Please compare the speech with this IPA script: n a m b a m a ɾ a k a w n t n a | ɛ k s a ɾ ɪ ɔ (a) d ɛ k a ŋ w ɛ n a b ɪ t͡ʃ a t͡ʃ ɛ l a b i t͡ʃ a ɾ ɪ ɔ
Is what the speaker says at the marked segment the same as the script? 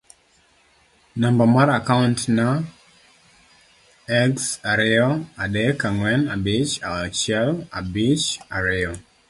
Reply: yes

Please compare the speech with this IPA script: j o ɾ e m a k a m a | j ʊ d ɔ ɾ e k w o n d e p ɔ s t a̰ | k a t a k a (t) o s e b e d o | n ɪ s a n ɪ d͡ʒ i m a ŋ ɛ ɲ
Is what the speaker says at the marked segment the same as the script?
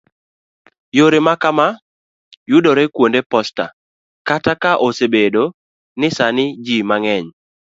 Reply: no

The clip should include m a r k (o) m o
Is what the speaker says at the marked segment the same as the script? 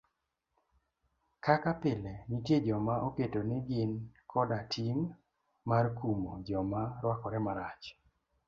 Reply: no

